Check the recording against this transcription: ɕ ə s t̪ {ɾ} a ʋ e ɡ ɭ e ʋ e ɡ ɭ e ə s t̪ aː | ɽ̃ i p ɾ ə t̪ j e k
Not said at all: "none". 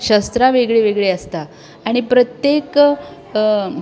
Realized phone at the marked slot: ɾ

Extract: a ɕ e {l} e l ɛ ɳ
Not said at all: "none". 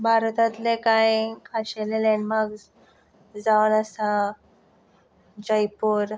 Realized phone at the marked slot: l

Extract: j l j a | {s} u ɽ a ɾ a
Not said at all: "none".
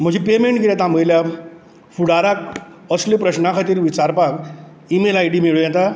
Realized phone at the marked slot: f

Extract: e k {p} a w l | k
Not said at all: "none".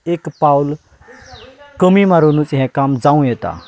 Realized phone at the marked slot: p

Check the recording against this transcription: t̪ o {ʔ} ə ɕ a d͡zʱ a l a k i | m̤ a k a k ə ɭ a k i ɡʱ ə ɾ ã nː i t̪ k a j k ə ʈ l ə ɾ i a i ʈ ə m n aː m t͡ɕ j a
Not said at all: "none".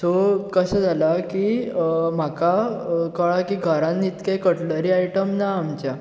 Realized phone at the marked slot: k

